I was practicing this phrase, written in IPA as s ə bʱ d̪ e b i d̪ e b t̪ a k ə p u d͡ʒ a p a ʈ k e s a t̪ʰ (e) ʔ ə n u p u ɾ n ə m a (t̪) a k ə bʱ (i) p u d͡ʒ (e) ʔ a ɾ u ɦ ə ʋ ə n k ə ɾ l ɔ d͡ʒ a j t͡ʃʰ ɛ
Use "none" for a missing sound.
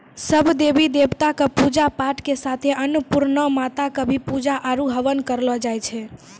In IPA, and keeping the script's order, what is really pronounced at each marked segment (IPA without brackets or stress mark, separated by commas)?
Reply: e, t̪, i, a